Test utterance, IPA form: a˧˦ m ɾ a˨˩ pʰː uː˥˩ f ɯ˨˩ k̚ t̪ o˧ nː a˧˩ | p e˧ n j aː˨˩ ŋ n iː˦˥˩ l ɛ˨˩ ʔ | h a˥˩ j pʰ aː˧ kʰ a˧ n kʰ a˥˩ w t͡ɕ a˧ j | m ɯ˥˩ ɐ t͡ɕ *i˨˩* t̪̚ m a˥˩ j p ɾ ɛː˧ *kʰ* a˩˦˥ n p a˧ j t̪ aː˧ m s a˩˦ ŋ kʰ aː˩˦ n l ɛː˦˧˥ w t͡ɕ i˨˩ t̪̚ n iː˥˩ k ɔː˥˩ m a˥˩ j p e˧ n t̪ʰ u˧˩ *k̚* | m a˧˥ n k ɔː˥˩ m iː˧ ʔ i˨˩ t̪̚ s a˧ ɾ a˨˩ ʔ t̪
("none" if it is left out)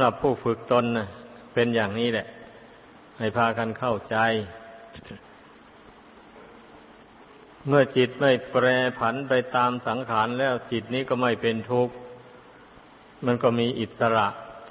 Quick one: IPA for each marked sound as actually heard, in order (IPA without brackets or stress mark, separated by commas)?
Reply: i˨˩, pʰ, k̚